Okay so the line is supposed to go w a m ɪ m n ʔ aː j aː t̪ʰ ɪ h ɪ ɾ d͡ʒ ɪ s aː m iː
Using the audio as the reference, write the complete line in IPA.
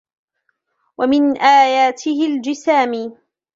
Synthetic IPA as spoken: w a m ɪ n ʔ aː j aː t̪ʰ ɪ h ɪ l d͡ʒ ɪ s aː m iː

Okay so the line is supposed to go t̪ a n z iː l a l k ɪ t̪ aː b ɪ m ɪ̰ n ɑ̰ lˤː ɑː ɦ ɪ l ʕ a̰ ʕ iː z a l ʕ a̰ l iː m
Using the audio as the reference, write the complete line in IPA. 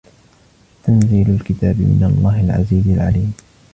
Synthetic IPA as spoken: t̪ a n z iː l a l k ɪ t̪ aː b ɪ m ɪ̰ n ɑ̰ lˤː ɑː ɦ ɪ l ʕ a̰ z iː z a l ʕ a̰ l iː m

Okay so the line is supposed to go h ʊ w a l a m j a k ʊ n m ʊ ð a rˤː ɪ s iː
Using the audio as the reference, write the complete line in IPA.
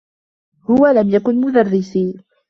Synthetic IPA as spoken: h ʊ w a l a m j a k ʊ n m ʊ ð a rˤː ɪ s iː

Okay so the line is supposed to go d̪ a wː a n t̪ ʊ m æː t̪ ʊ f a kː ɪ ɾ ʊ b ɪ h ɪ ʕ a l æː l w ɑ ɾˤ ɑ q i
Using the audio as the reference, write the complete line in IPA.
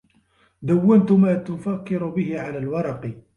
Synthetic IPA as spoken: d̪ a wː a n t̪ ʊ m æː t̪ ʊ f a kː ɪ ɾ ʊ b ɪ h ɪ ʕ a l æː l w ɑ ɾˤ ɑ q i

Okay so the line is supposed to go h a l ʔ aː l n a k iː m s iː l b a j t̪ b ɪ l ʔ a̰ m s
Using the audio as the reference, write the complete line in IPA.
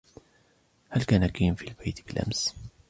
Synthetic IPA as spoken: h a l k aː n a k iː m f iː l b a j t̪ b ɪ l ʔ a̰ m s

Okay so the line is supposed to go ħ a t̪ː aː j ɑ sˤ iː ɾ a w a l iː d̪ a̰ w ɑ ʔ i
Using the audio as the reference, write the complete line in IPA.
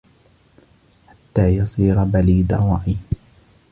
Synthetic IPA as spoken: ħ a t̪ː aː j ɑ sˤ iː ɾ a b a l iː d̪ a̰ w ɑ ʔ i

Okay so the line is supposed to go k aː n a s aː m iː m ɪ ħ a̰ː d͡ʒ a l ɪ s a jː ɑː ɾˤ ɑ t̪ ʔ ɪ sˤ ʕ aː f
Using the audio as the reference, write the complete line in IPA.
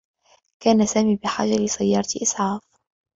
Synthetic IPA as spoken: k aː n a s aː m iː b ɪ ħ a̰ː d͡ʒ a l ɪ s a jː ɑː ɾˤ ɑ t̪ ʔ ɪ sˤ ʕ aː f

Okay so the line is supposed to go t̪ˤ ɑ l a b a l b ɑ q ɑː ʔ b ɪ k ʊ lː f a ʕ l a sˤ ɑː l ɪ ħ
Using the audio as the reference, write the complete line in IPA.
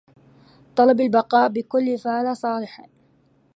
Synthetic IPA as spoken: t̪ˤ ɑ l ɑ b a l b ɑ q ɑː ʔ b ɪ k ʊ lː f a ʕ l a sˤ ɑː l ɪ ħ

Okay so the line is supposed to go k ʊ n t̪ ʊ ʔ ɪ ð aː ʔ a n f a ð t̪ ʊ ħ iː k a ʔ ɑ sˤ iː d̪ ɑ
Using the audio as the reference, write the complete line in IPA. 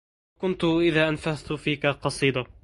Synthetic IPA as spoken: k ʊ n t̪ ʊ ʔ ɪ ð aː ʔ a n f a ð t̪ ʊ f iː k a q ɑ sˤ iː d̪ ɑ

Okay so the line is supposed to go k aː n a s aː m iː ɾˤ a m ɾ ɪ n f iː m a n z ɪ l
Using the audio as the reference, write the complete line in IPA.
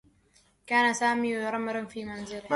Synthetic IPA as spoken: k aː n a s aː m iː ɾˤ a m ɾ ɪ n f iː m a n z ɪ l

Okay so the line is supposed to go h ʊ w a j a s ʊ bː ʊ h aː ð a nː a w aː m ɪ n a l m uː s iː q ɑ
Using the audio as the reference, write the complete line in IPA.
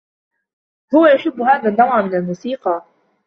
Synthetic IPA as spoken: h ʊ w a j a ʃ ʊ bː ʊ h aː ð a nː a w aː m ɪ n a l m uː s iː q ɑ

